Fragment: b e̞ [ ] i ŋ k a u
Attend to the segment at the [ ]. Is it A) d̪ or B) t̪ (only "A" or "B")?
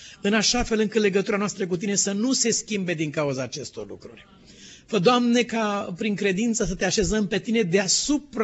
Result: A